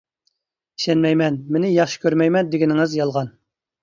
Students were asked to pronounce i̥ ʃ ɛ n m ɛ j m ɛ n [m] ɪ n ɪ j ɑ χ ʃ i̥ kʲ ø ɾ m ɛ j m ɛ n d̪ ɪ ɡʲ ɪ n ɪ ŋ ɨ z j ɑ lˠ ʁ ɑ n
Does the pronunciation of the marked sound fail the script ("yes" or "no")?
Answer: no